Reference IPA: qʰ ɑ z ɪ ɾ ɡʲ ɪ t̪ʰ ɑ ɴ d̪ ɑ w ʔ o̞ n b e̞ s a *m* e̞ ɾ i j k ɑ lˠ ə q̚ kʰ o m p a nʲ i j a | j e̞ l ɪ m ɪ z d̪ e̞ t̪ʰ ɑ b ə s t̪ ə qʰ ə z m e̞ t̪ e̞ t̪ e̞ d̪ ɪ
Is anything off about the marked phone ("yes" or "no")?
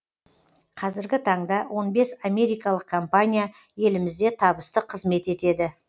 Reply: no